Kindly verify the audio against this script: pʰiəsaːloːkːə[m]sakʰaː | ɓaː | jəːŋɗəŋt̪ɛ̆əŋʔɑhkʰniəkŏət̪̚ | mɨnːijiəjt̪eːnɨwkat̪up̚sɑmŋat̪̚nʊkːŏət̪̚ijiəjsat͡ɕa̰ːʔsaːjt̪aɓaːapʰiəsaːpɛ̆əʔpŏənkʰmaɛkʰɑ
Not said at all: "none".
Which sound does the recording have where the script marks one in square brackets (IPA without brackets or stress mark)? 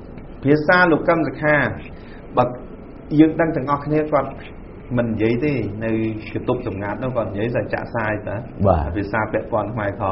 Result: m